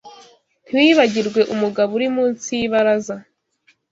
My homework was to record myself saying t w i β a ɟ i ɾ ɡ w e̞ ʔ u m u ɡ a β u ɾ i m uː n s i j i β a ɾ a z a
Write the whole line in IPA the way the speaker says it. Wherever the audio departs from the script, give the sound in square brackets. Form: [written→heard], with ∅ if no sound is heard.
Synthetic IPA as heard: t w i β a ɟ i ɾ ɡ w e̞ ʔ u m u ɡ a β u ɾ i m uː n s i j i β a ɾ a z a